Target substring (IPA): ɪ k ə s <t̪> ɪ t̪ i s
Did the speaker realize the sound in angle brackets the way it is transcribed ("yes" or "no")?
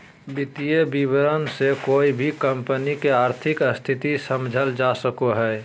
no